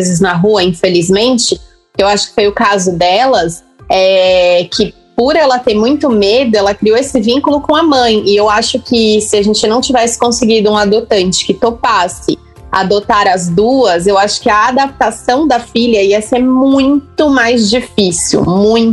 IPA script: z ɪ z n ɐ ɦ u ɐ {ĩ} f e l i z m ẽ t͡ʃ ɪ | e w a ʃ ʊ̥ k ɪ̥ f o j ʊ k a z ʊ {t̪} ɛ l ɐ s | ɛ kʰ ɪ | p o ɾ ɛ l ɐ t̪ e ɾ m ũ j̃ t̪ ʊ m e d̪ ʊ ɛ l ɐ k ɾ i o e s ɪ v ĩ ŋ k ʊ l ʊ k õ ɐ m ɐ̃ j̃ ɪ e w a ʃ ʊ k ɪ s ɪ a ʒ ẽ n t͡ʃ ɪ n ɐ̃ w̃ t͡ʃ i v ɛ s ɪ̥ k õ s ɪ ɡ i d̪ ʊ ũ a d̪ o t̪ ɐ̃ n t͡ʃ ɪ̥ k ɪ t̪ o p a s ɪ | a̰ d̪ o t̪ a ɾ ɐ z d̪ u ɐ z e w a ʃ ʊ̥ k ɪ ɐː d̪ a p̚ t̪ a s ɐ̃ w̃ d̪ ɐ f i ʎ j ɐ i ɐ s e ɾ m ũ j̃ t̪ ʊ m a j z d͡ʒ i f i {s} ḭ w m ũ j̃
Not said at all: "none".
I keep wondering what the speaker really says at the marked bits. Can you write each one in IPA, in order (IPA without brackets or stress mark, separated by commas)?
ĩ, d̪, s